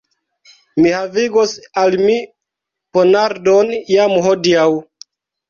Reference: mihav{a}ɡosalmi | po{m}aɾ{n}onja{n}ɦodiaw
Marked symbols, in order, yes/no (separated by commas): no, no, no, no